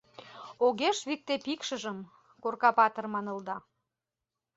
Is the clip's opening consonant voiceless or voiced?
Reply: voiced